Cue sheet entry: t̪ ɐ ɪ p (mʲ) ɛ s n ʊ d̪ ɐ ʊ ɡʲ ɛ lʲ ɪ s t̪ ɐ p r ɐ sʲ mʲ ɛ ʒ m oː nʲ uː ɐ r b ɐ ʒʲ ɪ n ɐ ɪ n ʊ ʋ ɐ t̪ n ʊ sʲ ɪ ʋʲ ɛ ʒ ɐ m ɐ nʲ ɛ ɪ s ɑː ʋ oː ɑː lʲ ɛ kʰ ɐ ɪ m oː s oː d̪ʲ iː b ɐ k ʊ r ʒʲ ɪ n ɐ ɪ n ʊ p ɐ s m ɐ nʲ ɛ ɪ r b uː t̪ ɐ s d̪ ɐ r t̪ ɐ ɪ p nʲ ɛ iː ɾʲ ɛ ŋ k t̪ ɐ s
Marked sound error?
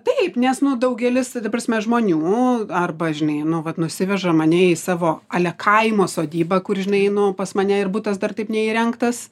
yes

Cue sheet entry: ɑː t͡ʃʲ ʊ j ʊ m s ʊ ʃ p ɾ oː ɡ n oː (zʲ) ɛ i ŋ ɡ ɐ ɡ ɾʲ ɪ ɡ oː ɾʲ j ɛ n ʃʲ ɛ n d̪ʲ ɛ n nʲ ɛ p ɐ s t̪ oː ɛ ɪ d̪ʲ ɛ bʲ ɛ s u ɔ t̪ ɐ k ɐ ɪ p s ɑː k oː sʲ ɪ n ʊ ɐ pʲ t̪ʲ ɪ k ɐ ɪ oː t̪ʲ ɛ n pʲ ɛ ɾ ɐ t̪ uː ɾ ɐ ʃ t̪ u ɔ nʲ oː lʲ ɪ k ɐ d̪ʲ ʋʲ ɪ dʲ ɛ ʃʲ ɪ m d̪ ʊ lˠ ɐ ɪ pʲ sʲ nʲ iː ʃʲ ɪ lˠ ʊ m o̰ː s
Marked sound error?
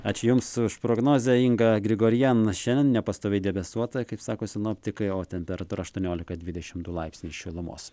no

